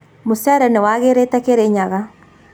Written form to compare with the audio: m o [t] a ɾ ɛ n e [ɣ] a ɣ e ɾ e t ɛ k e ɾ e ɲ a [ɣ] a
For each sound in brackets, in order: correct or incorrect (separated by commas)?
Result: incorrect, incorrect, correct